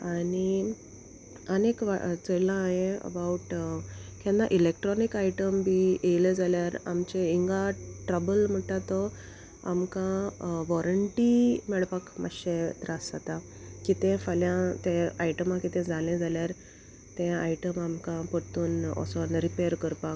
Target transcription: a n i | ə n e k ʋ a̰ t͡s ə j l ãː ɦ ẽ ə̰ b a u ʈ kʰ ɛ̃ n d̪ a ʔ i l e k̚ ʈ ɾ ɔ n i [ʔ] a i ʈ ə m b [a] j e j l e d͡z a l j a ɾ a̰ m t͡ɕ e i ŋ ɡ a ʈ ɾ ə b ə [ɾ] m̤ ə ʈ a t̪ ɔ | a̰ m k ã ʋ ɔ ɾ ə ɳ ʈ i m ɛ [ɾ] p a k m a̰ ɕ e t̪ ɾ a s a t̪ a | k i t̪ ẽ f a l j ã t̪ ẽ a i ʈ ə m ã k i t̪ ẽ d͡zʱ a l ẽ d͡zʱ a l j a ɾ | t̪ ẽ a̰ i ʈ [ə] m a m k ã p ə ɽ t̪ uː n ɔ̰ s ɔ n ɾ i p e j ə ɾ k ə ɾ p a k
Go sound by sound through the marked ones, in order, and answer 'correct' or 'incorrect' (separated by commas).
incorrect, incorrect, incorrect, incorrect, correct